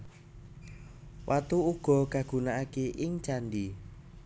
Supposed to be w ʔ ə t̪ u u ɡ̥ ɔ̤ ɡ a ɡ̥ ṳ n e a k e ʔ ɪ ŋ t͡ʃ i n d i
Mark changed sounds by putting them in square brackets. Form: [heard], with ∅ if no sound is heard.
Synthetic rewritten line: w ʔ [a] t̪ u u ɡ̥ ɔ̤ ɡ a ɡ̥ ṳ n [a] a k e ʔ ɪ ŋ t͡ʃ [a] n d i